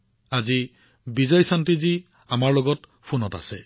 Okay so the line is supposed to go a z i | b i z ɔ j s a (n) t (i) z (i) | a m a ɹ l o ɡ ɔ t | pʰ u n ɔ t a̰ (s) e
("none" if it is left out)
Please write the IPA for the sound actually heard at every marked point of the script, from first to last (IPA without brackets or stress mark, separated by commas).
n, i, i, s